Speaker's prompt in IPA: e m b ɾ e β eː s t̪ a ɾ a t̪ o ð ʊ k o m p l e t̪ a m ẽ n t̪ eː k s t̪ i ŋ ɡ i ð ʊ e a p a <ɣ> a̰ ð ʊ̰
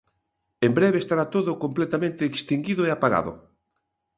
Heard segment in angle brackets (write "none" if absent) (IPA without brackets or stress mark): ɣ